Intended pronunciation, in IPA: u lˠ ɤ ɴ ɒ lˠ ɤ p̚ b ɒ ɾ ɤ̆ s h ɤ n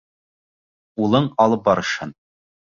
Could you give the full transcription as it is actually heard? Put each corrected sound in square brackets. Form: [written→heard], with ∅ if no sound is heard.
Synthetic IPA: u lˠ ɤ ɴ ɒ lˠ ɤ p̚ b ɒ ɾ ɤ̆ [s→ʃ] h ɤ n